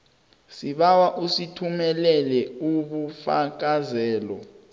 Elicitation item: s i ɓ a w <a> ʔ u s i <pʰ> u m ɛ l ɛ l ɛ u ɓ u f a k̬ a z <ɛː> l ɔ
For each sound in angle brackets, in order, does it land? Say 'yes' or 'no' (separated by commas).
yes, no, yes